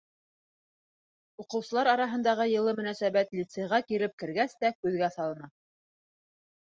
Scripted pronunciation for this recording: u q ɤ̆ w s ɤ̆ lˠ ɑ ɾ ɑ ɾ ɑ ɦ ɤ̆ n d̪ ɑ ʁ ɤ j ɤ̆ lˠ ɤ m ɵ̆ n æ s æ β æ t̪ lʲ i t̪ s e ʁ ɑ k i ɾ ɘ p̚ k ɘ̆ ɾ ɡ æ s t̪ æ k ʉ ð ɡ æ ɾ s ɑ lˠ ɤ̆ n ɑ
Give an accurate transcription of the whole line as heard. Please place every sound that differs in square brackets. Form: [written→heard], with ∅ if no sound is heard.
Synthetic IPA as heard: u q ɤ̆ w s ɤ̆ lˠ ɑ ɾ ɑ ɾ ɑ ɦ ɤ̆ n d̪ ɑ ʁ ɤ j ɤ̆ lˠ ɤ m ɵ̆ n æ s æ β æ t̪ lʲ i t̪ s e ʁ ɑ k i ɾ ɘ p̚ k ɘ̆ ɾ ɡ æ s t̪ æ k ʉ ð ɡ æ [ɾ→∅] s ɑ lˠ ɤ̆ n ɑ